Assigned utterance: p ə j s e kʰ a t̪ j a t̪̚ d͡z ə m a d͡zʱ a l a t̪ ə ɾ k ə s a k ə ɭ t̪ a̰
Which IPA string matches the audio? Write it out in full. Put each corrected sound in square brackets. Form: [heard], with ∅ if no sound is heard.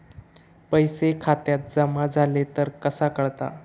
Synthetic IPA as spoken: p ə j s e kʰ a t̪ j a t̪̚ d͡z ə m a d͡zʱ a l [e] t̪ ə ɾ k ə s a k ə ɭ t̪ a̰